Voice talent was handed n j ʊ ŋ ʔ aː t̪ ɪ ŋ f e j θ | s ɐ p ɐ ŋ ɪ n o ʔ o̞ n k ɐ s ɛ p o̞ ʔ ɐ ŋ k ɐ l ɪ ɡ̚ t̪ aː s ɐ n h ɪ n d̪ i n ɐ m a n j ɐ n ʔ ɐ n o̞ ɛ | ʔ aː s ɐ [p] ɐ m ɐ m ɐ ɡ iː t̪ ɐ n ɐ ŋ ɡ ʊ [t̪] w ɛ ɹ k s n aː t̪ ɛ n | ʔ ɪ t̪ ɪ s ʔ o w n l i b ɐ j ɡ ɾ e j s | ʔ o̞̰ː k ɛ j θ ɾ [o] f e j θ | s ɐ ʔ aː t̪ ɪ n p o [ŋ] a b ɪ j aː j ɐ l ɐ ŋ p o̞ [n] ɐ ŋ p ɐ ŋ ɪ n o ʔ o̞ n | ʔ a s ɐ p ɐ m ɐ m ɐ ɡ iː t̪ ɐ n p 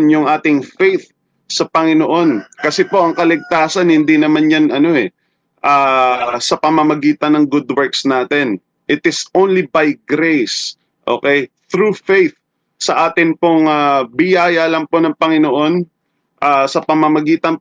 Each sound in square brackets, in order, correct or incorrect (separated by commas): correct, incorrect, incorrect, correct, correct